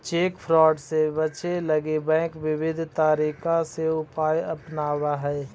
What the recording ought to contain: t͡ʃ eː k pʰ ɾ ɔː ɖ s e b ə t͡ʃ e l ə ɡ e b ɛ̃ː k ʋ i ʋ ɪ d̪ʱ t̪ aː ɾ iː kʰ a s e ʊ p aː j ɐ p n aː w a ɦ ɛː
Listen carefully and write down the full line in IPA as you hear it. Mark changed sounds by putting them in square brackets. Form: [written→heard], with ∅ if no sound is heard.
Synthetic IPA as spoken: t͡ʃ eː k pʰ ɾ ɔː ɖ s e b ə t͡ʃ e l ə ɡ e b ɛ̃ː k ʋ [i→ɪ] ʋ ɪ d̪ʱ t̪ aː ɾ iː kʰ a s e ʊ p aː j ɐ p n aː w a ɦ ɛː